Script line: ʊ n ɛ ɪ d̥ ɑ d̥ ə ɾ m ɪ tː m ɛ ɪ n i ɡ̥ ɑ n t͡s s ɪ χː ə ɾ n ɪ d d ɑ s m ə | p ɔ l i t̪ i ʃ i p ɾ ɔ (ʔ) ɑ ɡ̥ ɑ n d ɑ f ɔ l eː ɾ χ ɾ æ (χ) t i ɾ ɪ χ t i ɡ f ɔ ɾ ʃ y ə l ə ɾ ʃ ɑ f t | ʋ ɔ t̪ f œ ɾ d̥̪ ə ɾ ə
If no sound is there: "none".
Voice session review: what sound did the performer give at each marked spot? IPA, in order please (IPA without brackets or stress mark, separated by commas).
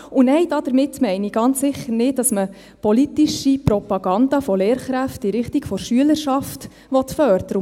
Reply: p, f